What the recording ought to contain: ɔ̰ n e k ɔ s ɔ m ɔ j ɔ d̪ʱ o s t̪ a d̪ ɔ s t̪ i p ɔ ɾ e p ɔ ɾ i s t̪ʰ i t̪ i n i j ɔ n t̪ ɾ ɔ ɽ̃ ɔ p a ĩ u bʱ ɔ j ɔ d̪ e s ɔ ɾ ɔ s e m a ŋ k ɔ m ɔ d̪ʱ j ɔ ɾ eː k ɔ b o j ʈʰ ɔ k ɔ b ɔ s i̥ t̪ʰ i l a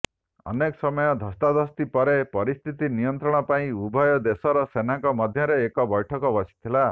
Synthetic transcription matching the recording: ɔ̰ n e k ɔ s ɔ m ɔ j ɔ d̪ʱ ɔ s t̪ a d̪ ɔ s t̪ i p ɔ ɾ e p ɔ ɾ i s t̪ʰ i t̪ i n i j ɔ n t̪ ɾ ɔ ɽ̃ ɔ p a ĩ u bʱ ɔ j ɔ d̪ e s ɔ ɾ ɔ s e n a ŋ k ɔ m ɔ d̪ʱ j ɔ ɾ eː k ɔ b ɔ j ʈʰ ɔ k ɔ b ɔ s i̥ t̪ʰ i l a